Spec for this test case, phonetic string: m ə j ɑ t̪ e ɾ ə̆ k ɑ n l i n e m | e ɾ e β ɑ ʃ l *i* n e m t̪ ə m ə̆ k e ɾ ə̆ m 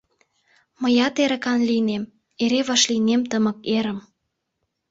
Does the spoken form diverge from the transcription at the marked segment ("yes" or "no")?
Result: no